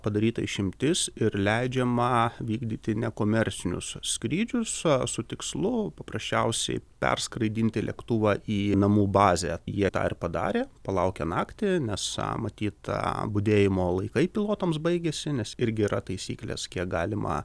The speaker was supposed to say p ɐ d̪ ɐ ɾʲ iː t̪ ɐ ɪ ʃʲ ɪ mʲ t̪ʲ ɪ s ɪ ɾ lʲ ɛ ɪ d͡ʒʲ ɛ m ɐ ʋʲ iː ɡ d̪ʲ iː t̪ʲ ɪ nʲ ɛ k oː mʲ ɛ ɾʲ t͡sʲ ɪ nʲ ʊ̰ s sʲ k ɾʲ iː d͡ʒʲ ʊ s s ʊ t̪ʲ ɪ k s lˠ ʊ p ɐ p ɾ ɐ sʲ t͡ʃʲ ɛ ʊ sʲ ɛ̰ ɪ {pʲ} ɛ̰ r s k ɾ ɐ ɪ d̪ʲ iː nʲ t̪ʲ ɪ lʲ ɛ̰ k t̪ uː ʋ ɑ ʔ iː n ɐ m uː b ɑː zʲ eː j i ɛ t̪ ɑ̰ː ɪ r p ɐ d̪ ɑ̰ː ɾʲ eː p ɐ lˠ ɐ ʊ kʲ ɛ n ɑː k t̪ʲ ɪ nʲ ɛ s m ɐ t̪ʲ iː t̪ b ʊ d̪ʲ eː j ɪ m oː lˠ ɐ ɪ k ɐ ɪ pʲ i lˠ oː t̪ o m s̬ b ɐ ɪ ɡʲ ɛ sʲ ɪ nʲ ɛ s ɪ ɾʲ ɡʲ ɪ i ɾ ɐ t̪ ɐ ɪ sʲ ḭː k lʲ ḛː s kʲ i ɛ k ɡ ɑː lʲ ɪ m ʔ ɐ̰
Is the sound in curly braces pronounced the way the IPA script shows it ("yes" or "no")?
yes